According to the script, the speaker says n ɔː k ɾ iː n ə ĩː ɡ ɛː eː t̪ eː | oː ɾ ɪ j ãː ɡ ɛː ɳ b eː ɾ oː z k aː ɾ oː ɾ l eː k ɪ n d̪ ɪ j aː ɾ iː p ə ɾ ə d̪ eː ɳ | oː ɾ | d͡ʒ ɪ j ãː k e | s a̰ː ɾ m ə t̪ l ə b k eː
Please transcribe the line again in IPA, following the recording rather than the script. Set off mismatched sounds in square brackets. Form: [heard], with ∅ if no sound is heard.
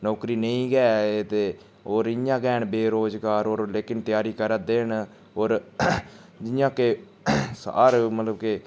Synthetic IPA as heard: n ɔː k ɾ iː n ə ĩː ɡ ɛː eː t̪ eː | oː ɾ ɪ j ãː ɡ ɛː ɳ b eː ɾ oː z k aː ɾ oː ɾ l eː k ɪ n [t̪] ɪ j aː ɾ iː [k] ə ɾ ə d̪ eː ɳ | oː ɾ | d͡ʒ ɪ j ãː k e | s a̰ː ɾ m ə t̪ l ə b k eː